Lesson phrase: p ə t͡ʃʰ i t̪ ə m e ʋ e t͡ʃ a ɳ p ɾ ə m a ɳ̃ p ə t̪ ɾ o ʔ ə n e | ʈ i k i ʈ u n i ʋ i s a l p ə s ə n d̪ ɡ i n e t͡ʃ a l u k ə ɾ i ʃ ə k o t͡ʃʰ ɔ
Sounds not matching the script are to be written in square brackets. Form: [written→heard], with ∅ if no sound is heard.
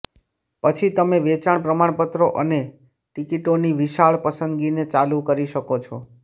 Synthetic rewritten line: p ə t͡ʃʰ i t̪ ə m e ʋ e t͡ʃ a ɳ p ɾ ə m a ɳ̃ p ə t̪ ɾ o ʔ ə n e | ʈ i k i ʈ [u→o] n i ʋ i [s→ʃ] a [l→ɭ] p ə s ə n d̪ ɡ i n e t͡ʃ a l u k ə ɾ i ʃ ə k o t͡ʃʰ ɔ